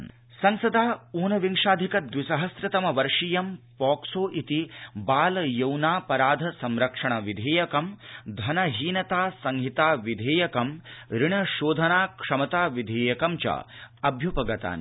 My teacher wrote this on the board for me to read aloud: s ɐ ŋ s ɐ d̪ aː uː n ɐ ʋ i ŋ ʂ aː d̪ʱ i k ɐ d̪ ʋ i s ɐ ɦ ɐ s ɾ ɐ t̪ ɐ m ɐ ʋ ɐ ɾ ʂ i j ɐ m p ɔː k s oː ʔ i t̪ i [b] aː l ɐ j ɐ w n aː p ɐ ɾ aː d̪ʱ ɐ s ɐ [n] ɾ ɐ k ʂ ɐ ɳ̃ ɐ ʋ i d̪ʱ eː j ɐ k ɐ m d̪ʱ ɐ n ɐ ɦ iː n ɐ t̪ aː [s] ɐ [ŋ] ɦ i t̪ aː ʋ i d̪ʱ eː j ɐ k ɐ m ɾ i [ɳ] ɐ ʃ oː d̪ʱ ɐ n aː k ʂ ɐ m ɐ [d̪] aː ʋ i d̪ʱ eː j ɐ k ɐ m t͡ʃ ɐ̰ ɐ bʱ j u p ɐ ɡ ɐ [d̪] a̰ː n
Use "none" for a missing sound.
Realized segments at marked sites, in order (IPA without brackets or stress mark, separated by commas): b, m, s, ŋ, ɳ, t̪, t̪